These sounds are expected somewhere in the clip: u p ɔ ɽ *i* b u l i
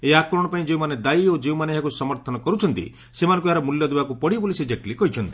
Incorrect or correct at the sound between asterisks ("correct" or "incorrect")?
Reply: correct